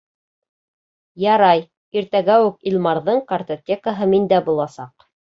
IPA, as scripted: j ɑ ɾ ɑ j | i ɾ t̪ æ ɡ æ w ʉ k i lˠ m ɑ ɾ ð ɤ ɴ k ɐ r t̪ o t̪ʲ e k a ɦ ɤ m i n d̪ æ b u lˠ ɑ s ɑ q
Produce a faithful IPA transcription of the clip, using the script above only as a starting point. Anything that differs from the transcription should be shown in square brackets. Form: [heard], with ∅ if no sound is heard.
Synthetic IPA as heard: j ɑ ɾ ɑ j | i ɾ t̪ æ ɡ æ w ʉ k i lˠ m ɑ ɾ ð ɤ ɴ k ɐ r t̪ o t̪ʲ e k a ɦ ɤ m i n d̪ æ b u lˠ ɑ s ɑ q